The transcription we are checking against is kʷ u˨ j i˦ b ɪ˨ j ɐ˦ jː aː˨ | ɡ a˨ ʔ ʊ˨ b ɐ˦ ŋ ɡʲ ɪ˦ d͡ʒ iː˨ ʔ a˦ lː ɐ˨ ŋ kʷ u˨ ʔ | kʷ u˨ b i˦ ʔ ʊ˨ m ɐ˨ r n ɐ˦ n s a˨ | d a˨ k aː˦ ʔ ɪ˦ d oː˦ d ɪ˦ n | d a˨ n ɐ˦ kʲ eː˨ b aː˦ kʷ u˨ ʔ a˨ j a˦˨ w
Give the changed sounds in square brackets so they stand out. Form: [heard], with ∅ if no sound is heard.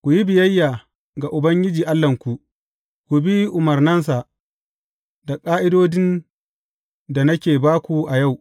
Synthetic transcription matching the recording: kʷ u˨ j i˦ b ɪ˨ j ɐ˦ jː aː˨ | ɡ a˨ ʔ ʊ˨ b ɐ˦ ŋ ɡʲ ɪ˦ d͡ʒ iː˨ ʔ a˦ lː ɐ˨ ŋ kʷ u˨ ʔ | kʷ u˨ b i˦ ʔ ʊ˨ m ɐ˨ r n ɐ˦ n s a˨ | d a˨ [kʼ] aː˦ ʔ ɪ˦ d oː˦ d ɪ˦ n | d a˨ n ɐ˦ kʲ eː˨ b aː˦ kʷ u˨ ʔ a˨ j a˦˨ w